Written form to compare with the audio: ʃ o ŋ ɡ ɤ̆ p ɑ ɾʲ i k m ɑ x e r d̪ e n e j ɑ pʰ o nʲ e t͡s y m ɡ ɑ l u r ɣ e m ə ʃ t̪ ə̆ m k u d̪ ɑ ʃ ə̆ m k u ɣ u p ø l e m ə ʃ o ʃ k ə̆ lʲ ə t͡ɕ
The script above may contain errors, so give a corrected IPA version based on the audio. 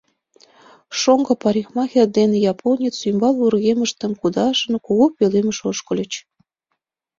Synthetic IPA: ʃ o ŋ ɡ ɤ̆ p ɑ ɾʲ i x m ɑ x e r d̪ e n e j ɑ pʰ o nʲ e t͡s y m b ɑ l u r ɣ e m ə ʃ t̪ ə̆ m k u d̪ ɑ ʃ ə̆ n k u ɣ o p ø l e m ə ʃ o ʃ k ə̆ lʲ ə t͡ɕ